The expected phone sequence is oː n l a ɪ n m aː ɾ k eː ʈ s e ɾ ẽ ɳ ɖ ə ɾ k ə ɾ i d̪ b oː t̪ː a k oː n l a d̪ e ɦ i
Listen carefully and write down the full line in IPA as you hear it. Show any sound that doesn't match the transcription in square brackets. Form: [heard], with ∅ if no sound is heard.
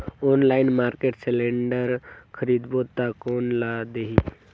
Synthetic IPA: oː n l a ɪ n m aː ɾ k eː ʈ s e [l] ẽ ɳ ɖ ə ɾ [kʰ] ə ɾ i d̪ b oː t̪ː a k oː n l a d̪ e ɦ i